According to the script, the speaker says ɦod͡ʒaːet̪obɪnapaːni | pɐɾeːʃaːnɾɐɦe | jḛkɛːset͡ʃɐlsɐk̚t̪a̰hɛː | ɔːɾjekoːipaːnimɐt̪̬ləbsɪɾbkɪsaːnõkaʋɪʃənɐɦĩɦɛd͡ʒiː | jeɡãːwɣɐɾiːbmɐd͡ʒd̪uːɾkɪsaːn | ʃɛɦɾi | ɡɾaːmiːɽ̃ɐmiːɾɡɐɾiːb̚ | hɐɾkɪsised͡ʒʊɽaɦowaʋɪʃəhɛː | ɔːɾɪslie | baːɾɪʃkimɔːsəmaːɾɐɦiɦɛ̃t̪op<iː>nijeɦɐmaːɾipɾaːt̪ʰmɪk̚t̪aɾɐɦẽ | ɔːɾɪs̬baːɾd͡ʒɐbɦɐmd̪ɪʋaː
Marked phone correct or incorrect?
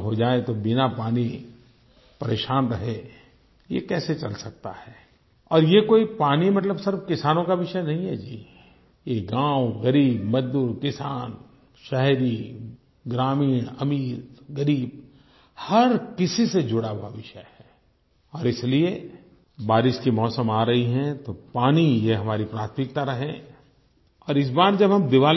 incorrect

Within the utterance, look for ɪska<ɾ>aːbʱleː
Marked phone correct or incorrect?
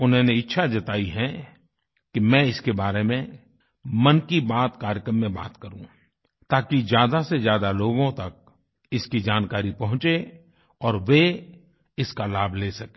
incorrect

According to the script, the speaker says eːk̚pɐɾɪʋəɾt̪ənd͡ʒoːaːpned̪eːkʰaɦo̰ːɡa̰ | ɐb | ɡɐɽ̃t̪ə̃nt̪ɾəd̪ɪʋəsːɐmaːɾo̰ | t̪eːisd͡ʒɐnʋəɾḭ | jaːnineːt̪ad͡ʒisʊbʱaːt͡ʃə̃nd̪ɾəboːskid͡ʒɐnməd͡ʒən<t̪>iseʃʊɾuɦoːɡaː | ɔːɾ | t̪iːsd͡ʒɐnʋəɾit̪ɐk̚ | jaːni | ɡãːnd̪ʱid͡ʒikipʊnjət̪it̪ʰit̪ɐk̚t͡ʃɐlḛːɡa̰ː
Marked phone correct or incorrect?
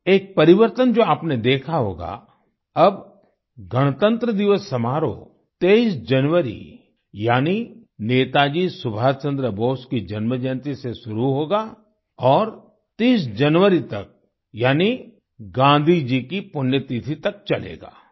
correct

